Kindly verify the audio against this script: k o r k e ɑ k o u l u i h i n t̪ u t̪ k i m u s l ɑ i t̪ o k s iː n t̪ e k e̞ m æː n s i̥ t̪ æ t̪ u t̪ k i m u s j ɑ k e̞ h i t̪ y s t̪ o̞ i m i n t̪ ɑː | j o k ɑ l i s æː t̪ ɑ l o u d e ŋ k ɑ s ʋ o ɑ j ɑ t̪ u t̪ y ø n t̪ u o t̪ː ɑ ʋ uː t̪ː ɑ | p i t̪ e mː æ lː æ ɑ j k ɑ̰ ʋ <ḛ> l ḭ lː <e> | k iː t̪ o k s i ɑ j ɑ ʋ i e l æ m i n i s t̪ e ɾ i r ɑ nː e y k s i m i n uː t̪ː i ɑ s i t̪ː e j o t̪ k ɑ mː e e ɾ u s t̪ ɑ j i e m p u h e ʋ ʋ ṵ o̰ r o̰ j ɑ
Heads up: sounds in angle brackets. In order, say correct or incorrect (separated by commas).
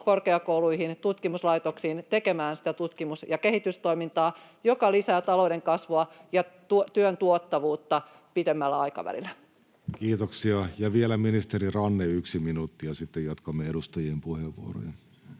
incorrect, incorrect